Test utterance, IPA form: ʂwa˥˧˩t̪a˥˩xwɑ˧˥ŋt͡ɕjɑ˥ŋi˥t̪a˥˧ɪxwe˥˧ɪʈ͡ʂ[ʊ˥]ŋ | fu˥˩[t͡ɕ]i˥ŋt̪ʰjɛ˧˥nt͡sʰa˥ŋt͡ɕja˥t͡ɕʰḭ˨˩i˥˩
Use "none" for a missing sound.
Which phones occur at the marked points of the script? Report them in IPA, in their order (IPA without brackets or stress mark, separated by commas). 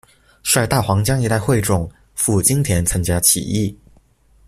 ʊ˨˩, t͡ɕ